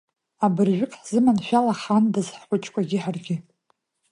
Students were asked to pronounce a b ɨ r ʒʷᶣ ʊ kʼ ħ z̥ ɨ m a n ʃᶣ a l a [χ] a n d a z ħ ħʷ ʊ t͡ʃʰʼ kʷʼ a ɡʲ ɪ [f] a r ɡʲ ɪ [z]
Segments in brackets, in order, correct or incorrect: correct, incorrect, incorrect

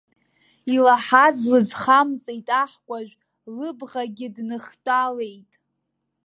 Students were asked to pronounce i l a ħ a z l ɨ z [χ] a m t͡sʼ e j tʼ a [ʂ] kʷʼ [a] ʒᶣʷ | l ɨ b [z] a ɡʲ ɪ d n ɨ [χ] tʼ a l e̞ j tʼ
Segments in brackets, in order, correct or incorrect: correct, incorrect, correct, incorrect, correct

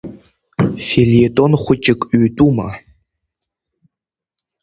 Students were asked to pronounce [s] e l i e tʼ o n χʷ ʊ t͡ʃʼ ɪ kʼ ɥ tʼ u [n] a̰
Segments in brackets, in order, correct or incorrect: incorrect, incorrect

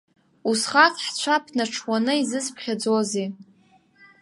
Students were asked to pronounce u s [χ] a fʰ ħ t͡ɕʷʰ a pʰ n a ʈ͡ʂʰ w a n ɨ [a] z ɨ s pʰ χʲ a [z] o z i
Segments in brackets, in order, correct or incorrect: correct, incorrect, incorrect

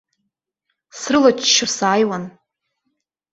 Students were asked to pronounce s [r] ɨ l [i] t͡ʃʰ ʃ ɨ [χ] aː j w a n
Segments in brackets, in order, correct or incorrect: correct, incorrect, incorrect

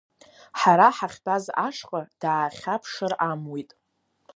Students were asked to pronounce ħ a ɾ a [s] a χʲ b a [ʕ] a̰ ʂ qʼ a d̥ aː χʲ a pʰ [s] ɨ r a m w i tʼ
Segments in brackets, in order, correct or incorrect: incorrect, incorrect, incorrect

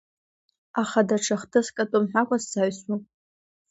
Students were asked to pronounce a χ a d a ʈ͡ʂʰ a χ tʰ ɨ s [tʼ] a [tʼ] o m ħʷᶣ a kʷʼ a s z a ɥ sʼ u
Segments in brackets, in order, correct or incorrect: incorrect, correct

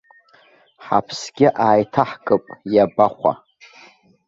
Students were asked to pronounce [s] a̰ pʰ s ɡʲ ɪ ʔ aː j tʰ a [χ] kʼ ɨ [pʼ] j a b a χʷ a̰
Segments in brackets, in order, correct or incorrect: incorrect, incorrect, correct

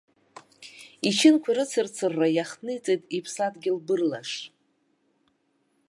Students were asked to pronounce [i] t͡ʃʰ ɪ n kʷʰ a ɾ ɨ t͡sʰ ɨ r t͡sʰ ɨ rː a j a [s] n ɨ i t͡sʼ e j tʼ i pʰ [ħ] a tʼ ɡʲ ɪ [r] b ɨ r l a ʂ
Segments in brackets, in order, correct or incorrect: correct, incorrect, incorrect, incorrect

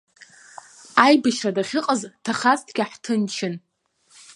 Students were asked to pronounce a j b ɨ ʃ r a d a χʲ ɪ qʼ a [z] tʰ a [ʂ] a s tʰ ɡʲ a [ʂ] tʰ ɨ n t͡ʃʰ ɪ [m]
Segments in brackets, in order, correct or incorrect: correct, incorrect, incorrect, incorrect

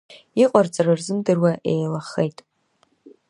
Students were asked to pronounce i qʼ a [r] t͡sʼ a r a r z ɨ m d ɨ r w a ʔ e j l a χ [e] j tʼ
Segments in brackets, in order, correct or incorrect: correct, correct

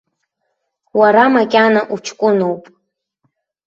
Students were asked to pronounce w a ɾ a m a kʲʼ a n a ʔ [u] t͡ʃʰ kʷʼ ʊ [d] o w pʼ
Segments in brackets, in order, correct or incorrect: correct, incorrect

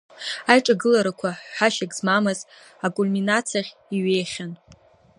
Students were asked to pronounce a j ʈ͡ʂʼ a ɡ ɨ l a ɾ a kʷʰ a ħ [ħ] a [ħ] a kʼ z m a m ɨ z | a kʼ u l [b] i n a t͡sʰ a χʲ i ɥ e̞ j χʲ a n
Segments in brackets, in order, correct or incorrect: correct, incorrect, incorrect

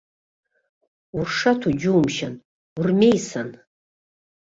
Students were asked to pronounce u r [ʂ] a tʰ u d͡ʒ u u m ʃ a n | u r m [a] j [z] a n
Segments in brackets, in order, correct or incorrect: correct, incorrect, incorrect

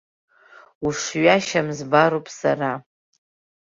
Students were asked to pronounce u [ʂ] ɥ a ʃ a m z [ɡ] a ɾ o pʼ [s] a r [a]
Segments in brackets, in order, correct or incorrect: correct, incorrect, correct, correct

